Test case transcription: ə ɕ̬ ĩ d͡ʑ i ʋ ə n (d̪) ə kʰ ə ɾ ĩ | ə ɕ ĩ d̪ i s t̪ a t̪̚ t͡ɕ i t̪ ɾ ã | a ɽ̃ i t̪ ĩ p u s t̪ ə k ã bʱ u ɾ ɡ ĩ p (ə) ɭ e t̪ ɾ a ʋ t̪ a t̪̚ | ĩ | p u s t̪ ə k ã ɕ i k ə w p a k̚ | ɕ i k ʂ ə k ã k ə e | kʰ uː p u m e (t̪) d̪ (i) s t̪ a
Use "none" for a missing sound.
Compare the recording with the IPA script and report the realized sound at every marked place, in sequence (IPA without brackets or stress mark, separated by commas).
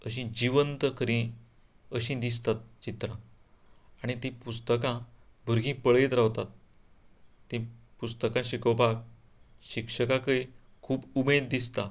t̪, ə, d̪, i